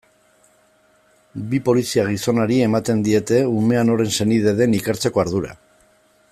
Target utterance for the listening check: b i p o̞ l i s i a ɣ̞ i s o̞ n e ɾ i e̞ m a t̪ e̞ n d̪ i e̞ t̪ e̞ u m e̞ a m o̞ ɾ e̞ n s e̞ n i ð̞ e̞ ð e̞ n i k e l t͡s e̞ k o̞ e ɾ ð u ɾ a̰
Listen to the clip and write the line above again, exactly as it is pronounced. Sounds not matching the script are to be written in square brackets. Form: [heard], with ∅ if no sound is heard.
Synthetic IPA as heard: b i p o̞ l i s i a ɣ̞ i s o̞ n [a] ɾ i e̞ m a t̪ e̞ n d̪ i e̞ t̪ e̞ u m e̞ a [n] o̞ ɾ e̞ n s e̞ n i ð̞ e̞ ð e̞ n i k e [ɾ] t͡s e̞ k o̞ [a] ɾ ð u ɾ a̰

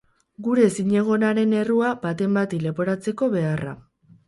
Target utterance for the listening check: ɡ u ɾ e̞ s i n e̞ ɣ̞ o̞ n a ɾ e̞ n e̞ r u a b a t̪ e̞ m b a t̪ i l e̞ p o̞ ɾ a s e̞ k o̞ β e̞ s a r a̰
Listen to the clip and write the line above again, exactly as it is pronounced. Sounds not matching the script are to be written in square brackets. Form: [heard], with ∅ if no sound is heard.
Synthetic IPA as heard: ɡ u ɾ e̞ s i [ɲ] e̞ ɣ̞ o̞ n a ɾ e̞ n e̞ r u a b a t̪ e̞ m b a t̪ i l e̞ p o̞ ɾ a [t͡s] e̞ k o̞ β e̞ [∅] a r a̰

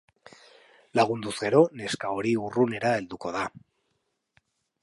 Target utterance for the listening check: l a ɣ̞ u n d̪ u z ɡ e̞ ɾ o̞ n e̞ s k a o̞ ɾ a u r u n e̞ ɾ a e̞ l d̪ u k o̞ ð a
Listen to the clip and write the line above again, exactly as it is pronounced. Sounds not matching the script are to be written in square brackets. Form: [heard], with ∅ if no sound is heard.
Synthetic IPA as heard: l a ɣ̞ u n d̪ u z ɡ e̞ ɾ o̞ n e̞ s k a o̞ ɾ [i] u r u n e̞ ɾ a e̞ l d̪ u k o̞ ð a

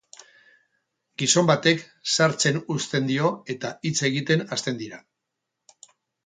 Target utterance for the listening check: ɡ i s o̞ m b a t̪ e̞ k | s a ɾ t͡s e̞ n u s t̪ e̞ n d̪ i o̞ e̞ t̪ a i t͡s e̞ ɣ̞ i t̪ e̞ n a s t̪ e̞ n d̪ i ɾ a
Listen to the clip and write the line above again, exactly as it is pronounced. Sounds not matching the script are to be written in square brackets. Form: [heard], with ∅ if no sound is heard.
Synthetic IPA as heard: ɡ i s o̞ m b a t̪ e̞ k | s a ɾ t͡s e̞ n u s t̪ e̞ n d̪ i o̞ e̞ t̪ a i t͡s e̞ ɣ̞ i t̪ e̞ n a s t̪ e̞ n d̪ i ɾ a

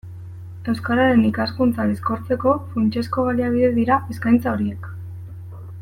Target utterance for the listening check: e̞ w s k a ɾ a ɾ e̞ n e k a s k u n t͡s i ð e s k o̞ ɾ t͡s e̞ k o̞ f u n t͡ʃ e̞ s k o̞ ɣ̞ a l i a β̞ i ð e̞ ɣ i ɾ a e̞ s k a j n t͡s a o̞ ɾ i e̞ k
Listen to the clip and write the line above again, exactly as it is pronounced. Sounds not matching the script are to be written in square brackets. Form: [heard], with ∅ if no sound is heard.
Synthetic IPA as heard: e̞ w s k a ɾ a ɾ e̞ n [i] k a s k u n t͡s [a] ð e s k o̞ ɾ t͡s e̞ k o̞ f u n t͡ʃ e̞ s k o̞ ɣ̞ a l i a β̞ i ð e̞ [ð] i ɾ a e̞ s k a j n t͡s a o̞ ɾ i e̞ k

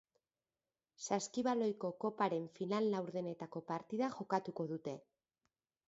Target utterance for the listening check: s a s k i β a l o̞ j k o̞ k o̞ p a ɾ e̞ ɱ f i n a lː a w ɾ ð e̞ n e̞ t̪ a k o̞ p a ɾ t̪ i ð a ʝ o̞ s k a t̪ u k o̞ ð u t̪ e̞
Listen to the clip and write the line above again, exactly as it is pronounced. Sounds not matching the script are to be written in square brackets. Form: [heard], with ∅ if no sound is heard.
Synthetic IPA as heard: s a s k i β a l o̞ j k o̞ k o̞ p a ɾ e̞ ɱ f i n a lː a w ɾ ð e̞ n e̞ t̪ a k o̞ p a ɾ t̪ i ð a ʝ o̞ [∅] k a t̪ u k o̞ ð u t̪ e̞

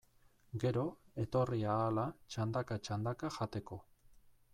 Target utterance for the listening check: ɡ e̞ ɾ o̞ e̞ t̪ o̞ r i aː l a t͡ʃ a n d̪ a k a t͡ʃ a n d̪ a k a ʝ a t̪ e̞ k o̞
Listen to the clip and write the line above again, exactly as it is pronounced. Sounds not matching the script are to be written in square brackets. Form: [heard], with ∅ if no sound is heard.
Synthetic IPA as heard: ɡ e̞ ɾ o̞ e̞ t̪ o̞ r i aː l a t͡ʃ a n d̪ a k a t͡ʃ a n d̪ a k a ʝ a t̪ e̞ k o̞

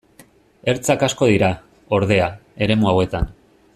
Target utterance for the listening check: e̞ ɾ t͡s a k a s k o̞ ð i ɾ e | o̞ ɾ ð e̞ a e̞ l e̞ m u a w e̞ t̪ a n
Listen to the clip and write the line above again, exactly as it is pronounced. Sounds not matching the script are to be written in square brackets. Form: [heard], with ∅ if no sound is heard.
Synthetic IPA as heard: e̞ ɾ t͡s a k a s k o̞ ð i ɾ [a] | o̞ ɾ ð e̞ a e̞ [ɾ] e̞ m u a w e̞ t̪ a n

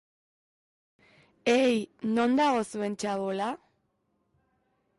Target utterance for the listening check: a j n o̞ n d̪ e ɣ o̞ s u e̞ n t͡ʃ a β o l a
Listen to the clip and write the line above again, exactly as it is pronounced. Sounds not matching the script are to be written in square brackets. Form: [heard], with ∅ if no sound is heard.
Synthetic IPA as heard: [e] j n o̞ n d̪ [a] ɣ o̞ s u e̞ n t͡ʃ a β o l a

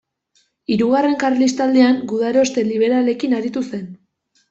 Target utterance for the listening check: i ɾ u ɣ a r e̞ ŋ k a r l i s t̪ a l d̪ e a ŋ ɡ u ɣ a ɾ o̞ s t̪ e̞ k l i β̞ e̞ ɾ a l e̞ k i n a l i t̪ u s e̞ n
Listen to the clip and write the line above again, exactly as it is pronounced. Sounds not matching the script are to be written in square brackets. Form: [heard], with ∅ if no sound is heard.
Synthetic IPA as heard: i ɾ u ɣ a r e̞ ŋ k a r l i s t̪ a l d̪ e a ŋ ɡ u [ð] a ɾ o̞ s t̪ e̞ [∅] l i β̞ e̞ ɾ a l e̞ k i n a [ɾ] i t̪ u s e̞ n

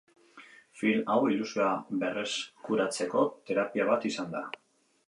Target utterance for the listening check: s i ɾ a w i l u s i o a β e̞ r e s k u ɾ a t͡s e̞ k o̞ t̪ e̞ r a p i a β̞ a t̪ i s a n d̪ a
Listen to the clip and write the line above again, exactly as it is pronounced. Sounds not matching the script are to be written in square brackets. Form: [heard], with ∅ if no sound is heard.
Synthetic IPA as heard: [f] i [l] a w i l u s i o a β e̞ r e s k u ɾ a t͡s e̞ k o̞ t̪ e̞ [ɾ] a p i a β̞ a t̪ i s a n d̪ a

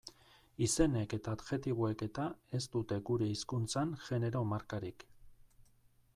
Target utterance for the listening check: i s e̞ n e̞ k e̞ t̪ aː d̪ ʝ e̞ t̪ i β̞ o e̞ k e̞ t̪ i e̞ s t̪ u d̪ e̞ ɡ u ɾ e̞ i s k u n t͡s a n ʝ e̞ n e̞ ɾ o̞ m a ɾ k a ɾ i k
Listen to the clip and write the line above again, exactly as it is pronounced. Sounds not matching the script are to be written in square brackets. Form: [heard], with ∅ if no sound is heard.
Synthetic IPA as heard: i s e̞ n e̞ k e̞ t̪ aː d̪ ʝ e̞ t̪ i β̞ o e̞ k e̞ t̪ [a] e̞ s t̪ u [t̪] e̞ ɡ u ɾ e̞ i s k u n t͡s a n ʝ e̞ n e̞ ɾ o̞ m a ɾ k a ɾ i k

